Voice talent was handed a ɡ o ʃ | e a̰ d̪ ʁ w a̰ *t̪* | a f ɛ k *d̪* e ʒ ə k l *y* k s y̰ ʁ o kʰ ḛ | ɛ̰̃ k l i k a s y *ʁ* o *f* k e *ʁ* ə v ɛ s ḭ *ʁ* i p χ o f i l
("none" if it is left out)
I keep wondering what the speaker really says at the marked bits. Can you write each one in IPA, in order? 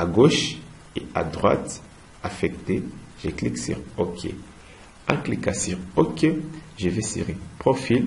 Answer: t̪, t̪, i, ʁ, none, ʒ, ʁ

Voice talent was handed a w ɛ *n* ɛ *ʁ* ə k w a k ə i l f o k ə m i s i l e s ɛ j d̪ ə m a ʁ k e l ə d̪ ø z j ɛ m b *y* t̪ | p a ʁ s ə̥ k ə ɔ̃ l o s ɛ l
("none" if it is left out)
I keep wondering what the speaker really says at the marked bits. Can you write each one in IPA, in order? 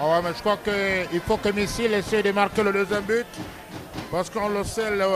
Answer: m, ʒ, y

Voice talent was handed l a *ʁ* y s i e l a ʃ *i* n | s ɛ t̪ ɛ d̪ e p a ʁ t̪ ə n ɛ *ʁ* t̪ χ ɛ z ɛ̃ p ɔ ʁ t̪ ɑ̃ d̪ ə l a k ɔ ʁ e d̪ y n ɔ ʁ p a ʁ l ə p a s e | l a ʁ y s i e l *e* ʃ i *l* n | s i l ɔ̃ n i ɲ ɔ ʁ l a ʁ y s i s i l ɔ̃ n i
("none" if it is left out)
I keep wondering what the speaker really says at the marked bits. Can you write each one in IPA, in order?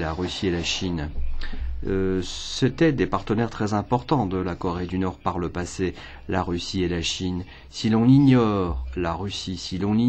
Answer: ʁ, i, ʁ, a, none

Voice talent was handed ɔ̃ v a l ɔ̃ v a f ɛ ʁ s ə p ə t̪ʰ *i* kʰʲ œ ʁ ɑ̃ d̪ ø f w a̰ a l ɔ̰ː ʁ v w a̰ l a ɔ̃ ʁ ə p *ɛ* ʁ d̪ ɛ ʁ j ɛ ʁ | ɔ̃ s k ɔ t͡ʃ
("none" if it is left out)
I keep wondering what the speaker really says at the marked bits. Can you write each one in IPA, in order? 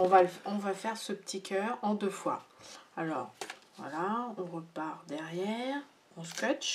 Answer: i, a

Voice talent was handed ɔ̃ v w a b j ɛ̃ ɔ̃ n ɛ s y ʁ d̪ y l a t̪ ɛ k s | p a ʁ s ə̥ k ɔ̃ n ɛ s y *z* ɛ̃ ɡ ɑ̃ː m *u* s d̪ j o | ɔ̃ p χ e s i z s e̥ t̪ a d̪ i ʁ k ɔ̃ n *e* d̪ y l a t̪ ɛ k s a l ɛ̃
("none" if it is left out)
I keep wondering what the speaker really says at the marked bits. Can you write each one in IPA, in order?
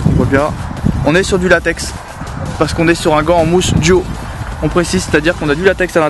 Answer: ʁ, u, a

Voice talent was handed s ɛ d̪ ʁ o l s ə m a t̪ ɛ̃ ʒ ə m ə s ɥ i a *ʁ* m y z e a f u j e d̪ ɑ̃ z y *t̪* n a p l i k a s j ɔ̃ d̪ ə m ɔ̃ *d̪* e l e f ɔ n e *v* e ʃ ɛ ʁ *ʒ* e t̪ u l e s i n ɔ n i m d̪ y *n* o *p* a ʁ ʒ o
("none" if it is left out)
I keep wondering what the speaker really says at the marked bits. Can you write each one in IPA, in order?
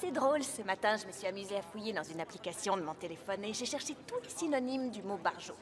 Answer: none, none, t̪, ʒ, ʃ, m, b

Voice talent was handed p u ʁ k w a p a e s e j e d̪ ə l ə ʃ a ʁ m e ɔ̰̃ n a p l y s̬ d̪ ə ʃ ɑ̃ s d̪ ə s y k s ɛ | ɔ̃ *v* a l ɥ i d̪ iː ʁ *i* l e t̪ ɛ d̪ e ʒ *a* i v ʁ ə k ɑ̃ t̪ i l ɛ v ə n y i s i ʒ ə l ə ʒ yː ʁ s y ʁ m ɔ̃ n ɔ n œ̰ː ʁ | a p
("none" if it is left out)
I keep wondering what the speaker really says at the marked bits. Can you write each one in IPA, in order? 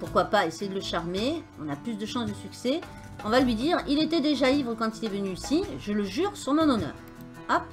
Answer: v, i, a

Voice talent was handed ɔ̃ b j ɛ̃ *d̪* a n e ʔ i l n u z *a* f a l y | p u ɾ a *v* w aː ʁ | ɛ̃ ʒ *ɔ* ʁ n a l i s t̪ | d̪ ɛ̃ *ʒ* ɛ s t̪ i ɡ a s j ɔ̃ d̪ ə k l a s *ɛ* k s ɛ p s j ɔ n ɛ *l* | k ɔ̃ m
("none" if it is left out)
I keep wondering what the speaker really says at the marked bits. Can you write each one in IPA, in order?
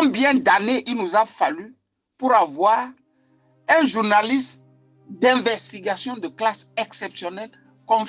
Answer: d̪, a, v, u, v, ɛ, l

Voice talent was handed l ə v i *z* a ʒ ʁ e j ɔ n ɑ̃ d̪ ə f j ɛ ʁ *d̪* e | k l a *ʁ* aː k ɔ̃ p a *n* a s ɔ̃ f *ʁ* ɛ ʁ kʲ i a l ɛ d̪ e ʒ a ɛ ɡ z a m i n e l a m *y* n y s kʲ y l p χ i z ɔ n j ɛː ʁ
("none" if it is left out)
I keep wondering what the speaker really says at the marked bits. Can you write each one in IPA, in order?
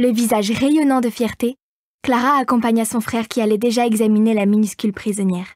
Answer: z, t̪, ʁ, ɲ, χ, i

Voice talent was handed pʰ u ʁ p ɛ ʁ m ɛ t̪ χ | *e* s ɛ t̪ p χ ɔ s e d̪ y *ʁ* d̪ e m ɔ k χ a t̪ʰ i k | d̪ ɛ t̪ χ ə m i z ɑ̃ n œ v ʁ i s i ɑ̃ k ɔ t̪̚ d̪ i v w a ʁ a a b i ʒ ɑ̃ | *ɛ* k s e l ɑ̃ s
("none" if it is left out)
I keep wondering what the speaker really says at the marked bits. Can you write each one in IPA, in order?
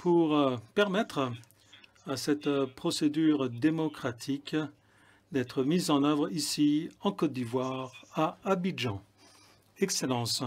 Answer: a, ʁ, ɛ

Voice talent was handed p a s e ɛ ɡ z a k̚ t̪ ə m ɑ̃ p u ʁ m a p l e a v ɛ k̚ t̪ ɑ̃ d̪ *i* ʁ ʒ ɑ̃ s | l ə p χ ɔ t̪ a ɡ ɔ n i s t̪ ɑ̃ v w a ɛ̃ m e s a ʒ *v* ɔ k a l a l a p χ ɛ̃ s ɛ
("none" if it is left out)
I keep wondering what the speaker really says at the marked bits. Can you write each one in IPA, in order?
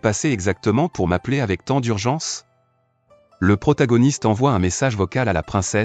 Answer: y, v

